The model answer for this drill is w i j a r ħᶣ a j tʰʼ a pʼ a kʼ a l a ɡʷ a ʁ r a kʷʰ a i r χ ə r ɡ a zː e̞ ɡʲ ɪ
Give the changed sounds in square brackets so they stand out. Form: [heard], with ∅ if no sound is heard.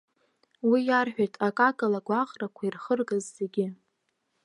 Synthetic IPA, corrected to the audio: w i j a r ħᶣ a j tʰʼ a [kʼ] a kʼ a l a ɡʷ a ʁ r a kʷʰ a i r χ ə r ɡ a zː e̞ ɡʲ ɪ

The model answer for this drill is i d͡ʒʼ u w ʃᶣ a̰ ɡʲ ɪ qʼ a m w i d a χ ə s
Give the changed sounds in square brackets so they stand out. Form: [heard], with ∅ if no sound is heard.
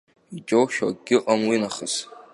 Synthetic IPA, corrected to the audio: i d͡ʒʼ [o] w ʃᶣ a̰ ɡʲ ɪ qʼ a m w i [n] a χ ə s

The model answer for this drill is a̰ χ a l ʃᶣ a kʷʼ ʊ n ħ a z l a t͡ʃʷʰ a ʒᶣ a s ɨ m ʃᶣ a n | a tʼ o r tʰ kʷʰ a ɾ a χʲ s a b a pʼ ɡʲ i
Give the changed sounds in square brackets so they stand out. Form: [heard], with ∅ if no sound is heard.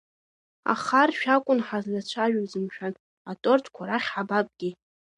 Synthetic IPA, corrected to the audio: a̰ χ a [r] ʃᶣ a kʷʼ ʊ n ħ a z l a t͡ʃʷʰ a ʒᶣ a [z] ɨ m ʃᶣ a n | a tʼ o r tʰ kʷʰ a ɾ a χʲ [ħ] a b a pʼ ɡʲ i

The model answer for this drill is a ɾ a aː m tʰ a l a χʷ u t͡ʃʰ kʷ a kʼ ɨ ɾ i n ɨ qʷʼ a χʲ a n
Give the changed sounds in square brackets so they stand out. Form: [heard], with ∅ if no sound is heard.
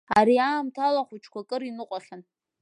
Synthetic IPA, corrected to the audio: a ɾ [i] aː m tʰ a l a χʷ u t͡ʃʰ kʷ a kʼ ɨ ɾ i n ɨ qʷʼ a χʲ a n

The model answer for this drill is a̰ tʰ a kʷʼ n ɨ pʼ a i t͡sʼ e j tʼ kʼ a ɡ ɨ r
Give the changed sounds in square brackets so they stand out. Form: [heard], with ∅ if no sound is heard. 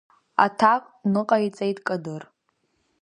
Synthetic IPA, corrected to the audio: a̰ tʰ a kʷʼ n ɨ [qʼ] a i t͡sʼ e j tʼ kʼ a [d] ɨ r

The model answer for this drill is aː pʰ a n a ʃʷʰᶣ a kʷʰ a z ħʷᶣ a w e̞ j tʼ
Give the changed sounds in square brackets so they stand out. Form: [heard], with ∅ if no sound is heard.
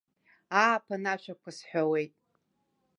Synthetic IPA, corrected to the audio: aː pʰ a n a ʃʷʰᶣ a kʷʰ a [s] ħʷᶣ a w e̞ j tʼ

